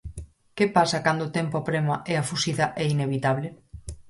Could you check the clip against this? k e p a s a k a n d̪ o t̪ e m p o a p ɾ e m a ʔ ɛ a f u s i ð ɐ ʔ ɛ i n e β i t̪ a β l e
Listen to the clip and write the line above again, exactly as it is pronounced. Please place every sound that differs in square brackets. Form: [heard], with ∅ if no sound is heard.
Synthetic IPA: k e p a s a k a n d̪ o t̪ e m p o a p ɾ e m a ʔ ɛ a f u s i ð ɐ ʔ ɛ i n e β i t̪ a β l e